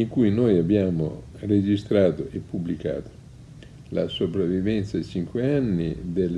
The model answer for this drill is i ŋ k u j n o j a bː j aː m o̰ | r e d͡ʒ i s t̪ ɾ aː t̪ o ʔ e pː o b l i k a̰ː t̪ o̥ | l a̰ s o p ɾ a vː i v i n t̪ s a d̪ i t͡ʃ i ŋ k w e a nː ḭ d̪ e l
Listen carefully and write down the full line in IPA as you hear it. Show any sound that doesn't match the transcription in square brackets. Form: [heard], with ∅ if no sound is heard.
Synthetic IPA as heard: i ŋ k u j n o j a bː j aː m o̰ | r e d͡ʒ i s t̪ ɾ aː t̪ o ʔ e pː [u] b l i k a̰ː t̪ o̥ | l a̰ s o p ɾ a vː i v [ɛ] n t̪ s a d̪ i t͡ʃ i ŋ k w e a nː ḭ d̪ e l